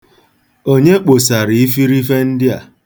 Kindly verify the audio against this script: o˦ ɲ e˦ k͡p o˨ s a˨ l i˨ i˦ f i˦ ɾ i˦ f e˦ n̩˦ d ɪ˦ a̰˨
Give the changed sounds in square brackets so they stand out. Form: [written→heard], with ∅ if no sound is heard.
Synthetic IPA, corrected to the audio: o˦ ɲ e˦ k͡p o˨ s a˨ [l→ɾ] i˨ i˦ f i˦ ɾ i˦ f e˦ n̩˦ d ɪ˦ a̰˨